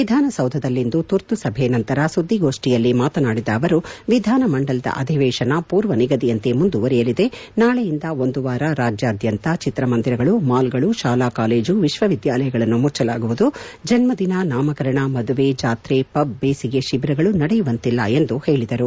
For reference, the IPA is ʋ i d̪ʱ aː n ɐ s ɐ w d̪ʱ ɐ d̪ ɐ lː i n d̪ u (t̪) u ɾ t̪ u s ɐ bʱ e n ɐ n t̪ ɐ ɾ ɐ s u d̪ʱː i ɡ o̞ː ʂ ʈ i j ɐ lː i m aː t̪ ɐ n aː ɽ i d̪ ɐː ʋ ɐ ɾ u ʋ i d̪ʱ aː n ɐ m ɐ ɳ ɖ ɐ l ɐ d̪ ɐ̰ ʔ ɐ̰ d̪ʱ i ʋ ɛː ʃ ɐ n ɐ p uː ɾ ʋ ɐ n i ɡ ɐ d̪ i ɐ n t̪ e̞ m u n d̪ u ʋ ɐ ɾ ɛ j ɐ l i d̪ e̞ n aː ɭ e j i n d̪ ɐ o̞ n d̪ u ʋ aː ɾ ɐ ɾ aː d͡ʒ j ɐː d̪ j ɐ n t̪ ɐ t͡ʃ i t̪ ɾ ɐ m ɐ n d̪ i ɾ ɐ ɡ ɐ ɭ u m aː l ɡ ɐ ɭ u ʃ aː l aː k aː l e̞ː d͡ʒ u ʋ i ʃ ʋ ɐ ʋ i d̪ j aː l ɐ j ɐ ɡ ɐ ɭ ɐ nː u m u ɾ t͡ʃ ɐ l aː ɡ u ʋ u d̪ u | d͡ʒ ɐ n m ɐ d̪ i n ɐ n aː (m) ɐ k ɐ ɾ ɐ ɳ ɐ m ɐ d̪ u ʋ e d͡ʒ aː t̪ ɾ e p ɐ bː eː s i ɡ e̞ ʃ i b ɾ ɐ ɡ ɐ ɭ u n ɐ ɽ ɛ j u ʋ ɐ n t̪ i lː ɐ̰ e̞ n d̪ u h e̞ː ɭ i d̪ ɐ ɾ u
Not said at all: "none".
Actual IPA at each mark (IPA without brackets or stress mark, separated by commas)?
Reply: t̪, m